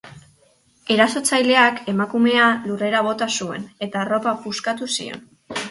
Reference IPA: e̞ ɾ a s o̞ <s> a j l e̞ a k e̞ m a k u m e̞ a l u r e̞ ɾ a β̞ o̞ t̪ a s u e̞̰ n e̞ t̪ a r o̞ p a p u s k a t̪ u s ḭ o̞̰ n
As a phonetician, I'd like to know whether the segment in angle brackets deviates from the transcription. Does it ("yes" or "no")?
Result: yes